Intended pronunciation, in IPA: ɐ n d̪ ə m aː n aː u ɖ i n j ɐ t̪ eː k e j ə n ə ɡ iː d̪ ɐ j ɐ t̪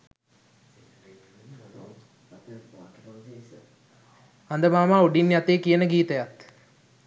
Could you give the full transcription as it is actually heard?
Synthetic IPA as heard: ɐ n d̪ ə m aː m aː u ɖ i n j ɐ t̪ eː k i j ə n ə ɡ iː t̪ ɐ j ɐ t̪